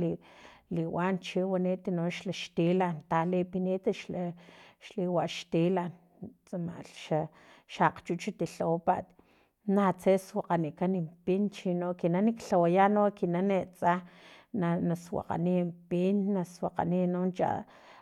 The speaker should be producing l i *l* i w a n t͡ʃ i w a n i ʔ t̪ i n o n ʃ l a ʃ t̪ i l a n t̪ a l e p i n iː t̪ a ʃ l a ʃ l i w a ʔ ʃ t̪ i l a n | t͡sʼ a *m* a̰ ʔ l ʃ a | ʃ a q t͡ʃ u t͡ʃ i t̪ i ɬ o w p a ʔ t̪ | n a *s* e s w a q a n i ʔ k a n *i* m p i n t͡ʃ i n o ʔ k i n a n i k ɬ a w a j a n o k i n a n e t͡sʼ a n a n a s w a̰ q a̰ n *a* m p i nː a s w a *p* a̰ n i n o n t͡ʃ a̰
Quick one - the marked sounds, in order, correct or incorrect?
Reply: correct, correct, incorrect, correct, incorrect, incorrect

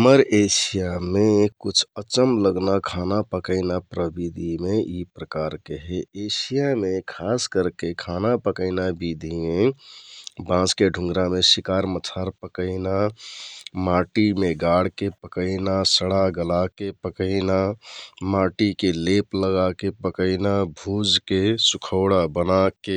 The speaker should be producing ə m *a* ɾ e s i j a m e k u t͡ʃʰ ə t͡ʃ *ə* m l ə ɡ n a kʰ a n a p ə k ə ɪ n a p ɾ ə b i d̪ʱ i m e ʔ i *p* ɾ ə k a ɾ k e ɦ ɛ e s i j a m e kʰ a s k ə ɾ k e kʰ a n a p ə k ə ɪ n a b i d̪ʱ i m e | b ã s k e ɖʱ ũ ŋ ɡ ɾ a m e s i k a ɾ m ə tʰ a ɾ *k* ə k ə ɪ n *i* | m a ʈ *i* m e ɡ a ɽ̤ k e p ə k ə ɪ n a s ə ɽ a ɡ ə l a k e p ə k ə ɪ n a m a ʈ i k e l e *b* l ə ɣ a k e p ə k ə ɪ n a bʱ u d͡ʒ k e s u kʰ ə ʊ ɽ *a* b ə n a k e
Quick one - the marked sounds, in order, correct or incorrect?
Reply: incorrect, correct, correct, incorrect, incorrect, correct, incorrect, correct

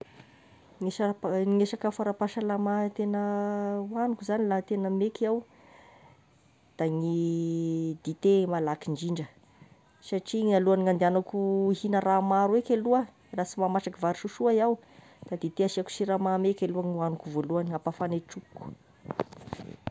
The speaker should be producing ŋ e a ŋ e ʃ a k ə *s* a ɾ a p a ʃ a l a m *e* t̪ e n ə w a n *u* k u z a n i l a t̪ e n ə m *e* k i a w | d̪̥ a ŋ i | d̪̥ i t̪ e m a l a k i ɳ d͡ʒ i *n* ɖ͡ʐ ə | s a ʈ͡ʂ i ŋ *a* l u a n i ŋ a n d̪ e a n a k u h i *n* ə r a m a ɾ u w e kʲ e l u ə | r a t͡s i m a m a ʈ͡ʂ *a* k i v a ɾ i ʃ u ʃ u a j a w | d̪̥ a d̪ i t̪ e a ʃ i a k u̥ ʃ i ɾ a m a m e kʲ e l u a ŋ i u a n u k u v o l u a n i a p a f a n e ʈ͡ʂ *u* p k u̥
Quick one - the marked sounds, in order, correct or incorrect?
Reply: incorrect, incorrect, correct, correct, incorrect, correct, correct, correct, correct

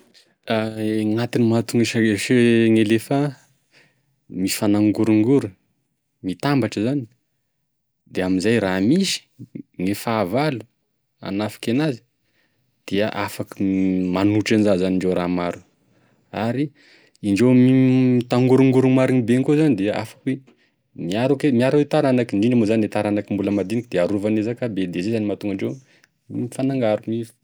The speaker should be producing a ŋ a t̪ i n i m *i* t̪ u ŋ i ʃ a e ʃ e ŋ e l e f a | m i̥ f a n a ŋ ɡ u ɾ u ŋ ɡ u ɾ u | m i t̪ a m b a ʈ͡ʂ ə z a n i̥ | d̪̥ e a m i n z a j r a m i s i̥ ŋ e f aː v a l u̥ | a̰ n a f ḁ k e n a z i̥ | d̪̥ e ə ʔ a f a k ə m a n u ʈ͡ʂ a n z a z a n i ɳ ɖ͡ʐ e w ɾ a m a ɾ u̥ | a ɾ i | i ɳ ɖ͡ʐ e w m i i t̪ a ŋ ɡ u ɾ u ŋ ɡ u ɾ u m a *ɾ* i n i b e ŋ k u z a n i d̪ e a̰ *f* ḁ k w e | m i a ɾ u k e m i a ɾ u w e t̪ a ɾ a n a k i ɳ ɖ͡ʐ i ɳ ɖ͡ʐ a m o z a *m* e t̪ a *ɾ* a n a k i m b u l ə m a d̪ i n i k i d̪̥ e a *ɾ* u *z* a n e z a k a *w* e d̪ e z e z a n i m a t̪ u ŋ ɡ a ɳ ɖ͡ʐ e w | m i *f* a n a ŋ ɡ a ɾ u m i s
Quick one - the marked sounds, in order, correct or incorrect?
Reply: incorrect, correct, correct, incorrect, correct, correct, incorrect, incorrect, correct

